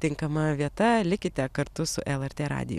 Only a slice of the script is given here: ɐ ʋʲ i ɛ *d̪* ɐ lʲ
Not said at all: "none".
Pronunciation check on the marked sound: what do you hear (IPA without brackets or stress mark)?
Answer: t̪